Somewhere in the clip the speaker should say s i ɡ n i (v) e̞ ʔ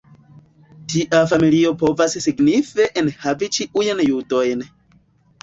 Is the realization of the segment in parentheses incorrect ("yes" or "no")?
yes